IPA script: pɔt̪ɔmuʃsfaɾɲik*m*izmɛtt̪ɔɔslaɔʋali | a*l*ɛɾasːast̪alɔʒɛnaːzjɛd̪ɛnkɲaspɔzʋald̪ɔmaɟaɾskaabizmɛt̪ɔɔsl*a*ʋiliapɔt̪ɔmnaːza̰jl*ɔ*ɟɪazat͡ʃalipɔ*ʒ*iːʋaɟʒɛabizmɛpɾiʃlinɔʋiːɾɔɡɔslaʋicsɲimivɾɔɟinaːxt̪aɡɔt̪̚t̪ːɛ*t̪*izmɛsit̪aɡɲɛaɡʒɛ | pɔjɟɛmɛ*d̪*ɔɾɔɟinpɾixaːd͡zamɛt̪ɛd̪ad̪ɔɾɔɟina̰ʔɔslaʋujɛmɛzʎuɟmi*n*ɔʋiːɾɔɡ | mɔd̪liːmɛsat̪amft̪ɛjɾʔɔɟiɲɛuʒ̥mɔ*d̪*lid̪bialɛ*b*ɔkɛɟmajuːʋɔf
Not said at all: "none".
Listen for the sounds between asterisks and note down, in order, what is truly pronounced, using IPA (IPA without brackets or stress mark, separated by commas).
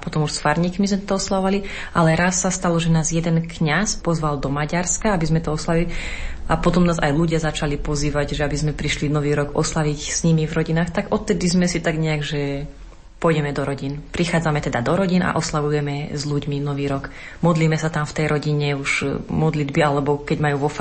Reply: m, l, a, u, z, d̪, d̪, n, d̪, b